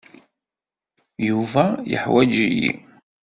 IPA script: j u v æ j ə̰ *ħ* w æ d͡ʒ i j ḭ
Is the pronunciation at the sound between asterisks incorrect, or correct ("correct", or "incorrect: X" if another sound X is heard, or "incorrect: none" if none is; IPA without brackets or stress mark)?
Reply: correct